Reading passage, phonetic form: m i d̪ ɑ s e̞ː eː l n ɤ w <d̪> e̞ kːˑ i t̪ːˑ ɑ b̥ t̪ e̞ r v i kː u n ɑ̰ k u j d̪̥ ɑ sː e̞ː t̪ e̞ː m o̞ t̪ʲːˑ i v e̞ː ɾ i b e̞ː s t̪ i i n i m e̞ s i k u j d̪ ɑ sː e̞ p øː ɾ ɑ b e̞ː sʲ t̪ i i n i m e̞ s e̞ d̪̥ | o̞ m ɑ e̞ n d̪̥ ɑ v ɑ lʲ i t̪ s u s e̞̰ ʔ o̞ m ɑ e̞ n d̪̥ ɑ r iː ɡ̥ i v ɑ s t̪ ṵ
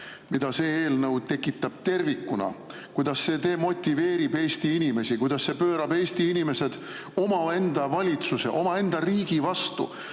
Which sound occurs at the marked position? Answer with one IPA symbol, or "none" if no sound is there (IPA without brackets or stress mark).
t̪